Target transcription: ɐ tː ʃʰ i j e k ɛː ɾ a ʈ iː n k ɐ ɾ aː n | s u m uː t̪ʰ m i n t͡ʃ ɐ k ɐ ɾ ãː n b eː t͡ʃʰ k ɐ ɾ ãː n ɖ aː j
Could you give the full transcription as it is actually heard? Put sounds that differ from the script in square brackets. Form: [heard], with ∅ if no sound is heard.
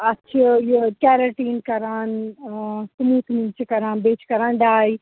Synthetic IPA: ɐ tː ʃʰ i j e k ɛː ɾ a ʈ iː n k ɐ ɾ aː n | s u m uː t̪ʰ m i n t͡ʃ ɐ k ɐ ɾ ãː n b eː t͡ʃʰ k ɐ ɾ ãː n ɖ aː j

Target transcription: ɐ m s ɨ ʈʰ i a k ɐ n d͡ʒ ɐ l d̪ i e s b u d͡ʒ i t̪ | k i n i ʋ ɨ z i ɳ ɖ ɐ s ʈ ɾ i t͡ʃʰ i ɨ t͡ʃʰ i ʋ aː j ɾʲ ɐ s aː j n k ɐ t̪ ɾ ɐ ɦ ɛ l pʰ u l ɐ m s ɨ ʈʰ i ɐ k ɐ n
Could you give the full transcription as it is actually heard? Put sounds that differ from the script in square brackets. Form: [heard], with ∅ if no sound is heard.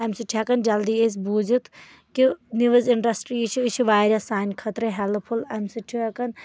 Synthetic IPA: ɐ m s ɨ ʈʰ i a k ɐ n d͡ʒ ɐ l d̪ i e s b u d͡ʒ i t̪ | k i n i ʋ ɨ z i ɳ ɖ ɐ s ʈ ɾ i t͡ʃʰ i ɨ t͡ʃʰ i ʋ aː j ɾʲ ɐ s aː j n [kʰ] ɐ t̪ ɾ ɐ ɦ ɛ l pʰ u l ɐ m s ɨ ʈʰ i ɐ k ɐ n

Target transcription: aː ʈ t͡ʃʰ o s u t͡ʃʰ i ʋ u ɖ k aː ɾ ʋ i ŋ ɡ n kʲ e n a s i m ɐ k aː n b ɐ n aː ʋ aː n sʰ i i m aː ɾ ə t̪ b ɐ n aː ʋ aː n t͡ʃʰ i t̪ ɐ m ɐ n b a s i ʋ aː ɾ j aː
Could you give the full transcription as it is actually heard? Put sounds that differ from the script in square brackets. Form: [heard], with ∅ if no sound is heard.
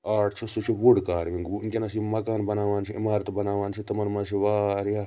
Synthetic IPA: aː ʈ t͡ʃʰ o s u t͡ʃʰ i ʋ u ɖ k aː ɾ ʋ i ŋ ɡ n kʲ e n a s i m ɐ k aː n b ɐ n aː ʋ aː n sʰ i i m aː ɾ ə t̪ b ɐ n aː ʋ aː n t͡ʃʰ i t̪ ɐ m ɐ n [m] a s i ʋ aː ɾ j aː

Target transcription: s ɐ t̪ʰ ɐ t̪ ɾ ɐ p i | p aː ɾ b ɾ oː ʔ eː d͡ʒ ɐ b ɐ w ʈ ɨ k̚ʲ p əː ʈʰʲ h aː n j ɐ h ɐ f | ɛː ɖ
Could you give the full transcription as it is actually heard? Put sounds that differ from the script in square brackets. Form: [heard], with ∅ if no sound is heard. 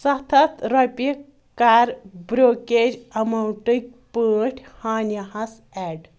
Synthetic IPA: s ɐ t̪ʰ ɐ t̪ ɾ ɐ p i | [k] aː ɾ b ɾ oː [k] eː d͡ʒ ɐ [m] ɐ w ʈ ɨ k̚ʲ p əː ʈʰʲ h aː n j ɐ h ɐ [s] | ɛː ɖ

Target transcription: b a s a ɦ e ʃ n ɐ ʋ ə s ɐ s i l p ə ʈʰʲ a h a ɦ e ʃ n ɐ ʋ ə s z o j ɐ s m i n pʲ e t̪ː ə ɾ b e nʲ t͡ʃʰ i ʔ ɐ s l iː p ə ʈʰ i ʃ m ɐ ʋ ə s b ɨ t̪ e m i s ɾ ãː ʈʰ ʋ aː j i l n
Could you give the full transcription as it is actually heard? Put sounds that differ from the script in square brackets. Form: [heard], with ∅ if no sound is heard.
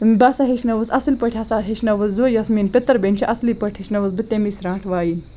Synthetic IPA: b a s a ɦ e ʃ n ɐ ʋ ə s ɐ s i l p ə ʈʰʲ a [s] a ɦ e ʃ n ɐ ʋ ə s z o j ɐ s m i n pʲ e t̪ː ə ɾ b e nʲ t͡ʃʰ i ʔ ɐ s l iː p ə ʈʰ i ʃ [n] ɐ ʋ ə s b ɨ t̪ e m i s ɾ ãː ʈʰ ʋ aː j i [∅] n

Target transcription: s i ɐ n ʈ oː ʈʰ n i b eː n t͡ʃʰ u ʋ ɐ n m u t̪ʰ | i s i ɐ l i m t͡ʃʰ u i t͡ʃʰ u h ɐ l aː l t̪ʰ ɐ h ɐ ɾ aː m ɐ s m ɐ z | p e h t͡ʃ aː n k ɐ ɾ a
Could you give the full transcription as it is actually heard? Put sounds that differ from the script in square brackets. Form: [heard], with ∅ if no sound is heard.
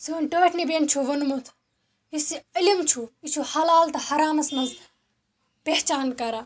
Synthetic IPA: s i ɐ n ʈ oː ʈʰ n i b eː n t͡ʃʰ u ʋ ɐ n m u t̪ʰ | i s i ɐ l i m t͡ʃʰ u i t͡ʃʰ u h ɐ l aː l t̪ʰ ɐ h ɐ ɾ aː m ɐ s m ɐ z | p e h t͡ʃ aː n k ɐ ɾ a

